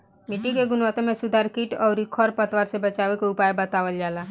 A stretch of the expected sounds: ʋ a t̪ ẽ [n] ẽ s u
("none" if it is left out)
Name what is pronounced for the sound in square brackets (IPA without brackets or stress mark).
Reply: m